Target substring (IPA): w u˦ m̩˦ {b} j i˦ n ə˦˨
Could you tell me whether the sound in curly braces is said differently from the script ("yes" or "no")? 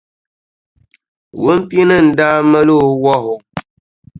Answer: yes